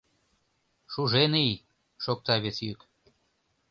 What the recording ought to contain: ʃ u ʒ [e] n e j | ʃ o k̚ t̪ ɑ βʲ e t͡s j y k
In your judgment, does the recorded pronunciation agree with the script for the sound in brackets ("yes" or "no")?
yes